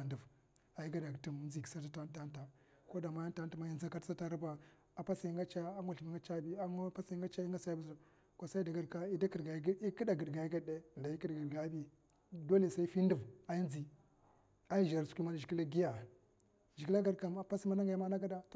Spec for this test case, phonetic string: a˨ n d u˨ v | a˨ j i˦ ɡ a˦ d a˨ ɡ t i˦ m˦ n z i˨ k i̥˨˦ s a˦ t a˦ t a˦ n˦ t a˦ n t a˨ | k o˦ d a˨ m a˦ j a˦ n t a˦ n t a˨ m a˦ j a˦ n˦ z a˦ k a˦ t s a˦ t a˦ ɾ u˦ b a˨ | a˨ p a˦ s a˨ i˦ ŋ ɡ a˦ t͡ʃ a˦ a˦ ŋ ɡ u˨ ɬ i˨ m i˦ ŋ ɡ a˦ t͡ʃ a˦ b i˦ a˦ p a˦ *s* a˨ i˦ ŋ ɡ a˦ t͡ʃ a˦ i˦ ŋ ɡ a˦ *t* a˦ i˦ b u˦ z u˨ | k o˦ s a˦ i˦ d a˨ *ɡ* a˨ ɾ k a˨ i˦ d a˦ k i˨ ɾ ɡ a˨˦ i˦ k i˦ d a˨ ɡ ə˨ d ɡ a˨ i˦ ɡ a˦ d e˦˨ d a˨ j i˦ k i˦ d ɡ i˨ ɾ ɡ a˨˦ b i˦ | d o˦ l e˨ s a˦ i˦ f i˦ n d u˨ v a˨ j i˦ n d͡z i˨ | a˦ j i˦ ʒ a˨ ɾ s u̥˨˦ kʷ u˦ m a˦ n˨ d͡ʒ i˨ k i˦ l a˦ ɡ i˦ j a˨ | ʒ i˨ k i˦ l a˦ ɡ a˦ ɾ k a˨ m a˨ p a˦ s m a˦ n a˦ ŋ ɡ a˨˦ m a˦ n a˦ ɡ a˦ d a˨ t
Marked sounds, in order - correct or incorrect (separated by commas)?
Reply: correct, incorrect, correct